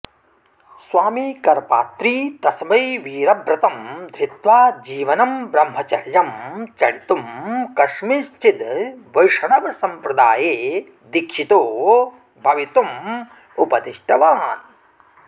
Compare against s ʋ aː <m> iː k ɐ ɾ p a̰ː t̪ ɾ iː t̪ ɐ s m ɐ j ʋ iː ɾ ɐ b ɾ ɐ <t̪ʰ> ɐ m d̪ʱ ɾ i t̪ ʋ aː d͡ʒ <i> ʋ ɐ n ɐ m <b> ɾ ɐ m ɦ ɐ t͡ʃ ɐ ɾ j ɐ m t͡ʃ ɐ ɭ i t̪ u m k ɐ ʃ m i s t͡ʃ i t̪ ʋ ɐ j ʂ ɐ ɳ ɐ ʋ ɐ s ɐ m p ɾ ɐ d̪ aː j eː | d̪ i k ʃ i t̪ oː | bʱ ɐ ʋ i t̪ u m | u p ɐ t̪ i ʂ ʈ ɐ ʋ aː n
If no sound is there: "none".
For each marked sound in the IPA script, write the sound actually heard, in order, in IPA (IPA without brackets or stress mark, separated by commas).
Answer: m, t̪, iː, b